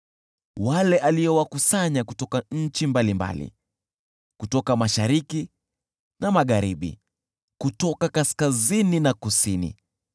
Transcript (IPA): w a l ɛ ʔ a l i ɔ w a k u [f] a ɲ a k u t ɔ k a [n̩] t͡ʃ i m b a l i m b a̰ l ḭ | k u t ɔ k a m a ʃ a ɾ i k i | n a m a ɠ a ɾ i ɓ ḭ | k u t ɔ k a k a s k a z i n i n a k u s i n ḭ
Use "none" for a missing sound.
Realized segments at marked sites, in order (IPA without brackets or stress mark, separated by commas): s, ɲ̩